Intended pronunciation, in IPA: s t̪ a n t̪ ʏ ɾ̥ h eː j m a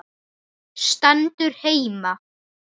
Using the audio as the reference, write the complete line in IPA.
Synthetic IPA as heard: s t̪ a n t̪ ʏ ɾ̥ h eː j m a